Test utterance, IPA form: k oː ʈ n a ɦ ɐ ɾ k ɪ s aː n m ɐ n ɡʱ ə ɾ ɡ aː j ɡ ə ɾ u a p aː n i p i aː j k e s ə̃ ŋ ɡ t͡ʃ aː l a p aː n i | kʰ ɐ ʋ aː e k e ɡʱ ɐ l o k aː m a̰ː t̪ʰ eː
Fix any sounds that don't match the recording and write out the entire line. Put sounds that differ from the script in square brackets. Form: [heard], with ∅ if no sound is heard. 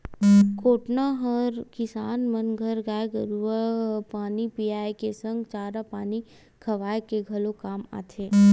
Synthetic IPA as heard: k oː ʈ n a ɦ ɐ ɾ k ɪ s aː n m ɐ n ɡʱ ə ɾ ɡ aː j ɡ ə ɾ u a p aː n i p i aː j k e s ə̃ ŋ ɡ t͡ʃ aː [ɾ] a p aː n i | kʰ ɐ ʋ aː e k e ɡʱ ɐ l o k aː m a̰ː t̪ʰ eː

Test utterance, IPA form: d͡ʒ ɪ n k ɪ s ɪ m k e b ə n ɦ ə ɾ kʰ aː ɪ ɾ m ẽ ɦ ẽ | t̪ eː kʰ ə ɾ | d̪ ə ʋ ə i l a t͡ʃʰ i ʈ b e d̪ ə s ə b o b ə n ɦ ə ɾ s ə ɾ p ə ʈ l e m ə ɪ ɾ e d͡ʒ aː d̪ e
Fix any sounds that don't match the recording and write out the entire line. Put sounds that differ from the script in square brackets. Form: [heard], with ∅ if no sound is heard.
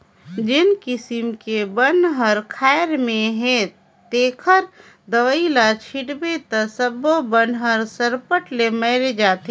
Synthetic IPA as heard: d͡ʒ ɪ n k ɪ s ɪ m k e b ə n ɦ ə ɾ kʰ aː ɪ ɾ m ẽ ɦ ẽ | t̪ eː kʰ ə ɾ | d̪ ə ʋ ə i l a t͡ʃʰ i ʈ b e [t̪] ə s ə b o b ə n ɦ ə ɾ s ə ɾ p ə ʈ l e m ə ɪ ɾ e d͡ʒ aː [t̪] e

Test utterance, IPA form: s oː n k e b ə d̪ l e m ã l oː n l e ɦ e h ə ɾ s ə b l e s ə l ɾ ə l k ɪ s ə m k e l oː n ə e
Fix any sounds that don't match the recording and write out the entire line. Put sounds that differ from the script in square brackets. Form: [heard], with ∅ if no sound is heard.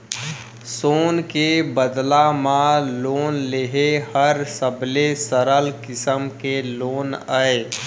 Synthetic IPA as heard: s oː n k e b ə d̪ l [a] m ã l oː n l e ɦ e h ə ɾ s ə b l e s ə [∅] ɾ ə l k ɪ s ə m k e l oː n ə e

